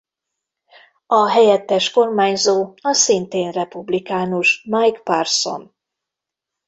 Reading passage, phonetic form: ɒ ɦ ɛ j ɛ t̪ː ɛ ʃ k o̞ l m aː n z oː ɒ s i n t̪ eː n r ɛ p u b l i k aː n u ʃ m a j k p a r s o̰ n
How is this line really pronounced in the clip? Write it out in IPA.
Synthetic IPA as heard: ɒ ɦ ɛ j ɛ t̪ː ɛ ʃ k o̞ r m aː ɲ z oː ɒ s i n t̪ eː n r ɛ p u b l i k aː n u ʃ m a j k p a r s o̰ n